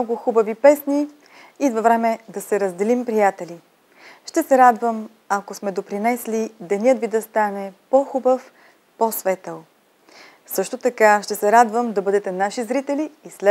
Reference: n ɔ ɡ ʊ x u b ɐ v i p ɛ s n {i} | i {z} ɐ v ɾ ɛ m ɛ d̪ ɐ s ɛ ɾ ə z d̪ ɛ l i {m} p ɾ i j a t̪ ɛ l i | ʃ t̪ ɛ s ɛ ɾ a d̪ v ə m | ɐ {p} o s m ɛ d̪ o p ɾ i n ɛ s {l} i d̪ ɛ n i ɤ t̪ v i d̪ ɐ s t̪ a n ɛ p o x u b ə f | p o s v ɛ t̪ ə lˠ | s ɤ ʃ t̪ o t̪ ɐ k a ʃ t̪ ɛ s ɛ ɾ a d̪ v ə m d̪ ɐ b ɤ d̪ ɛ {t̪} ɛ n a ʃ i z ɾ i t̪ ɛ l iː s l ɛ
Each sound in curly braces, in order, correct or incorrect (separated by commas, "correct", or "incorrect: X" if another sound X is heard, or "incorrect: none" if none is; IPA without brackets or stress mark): correct, incorrect: v, correct, incorrect: k, correct, correct